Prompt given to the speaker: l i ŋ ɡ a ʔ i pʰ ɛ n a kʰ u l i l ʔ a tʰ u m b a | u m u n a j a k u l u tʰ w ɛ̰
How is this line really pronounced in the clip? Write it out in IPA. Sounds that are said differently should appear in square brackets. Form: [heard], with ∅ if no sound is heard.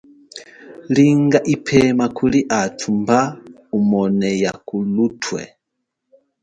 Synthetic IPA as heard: l i ŋ ɡ a ʔ i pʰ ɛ [m] a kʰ u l i [∅] ʔ a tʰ u m b a | u m [ɔ] n [ɛ] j a k u l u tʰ w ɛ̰